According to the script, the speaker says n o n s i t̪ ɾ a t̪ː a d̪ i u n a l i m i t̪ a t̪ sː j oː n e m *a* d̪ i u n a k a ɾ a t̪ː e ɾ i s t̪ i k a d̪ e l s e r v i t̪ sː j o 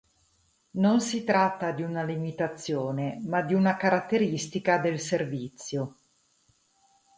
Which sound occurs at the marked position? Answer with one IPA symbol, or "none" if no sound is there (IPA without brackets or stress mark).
a